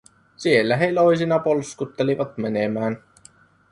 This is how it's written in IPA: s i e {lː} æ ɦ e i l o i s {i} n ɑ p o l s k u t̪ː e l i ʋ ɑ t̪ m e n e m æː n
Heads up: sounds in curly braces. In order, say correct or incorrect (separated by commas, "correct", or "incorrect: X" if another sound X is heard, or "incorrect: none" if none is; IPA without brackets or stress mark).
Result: correct, correct